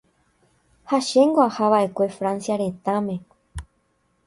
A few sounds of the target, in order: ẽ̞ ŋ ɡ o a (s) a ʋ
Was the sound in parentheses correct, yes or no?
no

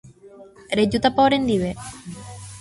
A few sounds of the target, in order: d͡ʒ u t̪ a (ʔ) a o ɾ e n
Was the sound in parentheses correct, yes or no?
no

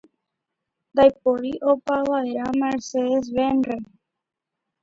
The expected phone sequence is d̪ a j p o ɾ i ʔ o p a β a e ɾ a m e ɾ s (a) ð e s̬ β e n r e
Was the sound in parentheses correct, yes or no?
no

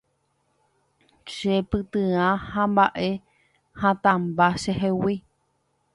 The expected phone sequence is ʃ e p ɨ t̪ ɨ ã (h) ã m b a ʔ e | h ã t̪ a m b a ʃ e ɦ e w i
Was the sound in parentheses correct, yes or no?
yes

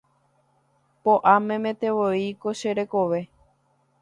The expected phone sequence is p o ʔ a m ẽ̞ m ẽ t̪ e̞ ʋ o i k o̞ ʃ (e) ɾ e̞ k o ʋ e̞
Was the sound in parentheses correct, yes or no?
yes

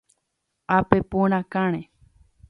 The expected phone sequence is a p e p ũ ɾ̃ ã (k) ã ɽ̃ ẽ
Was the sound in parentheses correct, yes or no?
yes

